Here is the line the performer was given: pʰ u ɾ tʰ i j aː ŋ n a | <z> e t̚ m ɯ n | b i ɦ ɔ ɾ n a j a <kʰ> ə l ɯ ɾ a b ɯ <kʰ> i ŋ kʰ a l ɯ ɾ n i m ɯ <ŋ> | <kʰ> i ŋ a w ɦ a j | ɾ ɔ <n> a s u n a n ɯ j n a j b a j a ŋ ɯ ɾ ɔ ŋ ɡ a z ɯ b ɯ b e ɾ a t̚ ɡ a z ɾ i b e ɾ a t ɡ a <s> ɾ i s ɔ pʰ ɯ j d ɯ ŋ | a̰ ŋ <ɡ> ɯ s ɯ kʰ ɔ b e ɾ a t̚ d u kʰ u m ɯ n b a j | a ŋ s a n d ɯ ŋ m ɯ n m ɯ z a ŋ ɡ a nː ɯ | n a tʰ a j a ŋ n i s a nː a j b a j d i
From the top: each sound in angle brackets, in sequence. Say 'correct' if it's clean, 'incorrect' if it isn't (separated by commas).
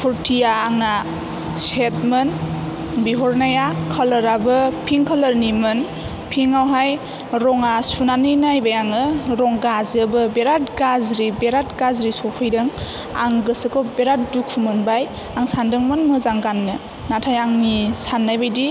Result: incorrect, correct, incorrect, incorrect, incorrect, incorrect, incorrect, correct